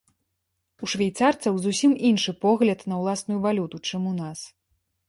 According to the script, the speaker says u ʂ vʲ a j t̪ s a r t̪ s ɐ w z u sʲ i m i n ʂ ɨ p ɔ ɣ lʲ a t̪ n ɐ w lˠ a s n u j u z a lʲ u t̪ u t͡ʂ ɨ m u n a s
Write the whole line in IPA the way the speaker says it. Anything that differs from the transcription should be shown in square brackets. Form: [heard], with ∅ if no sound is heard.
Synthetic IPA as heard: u ʂ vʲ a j t̪ s a r t̪ s ɐ w z u sʲ i m i n ʂ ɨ p ɔ ɣ lʲ [ɐ] t̪ n ɐ w lˠ a s n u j u [v] a lʲ u t̪ u t͡ʂ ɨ m u n a s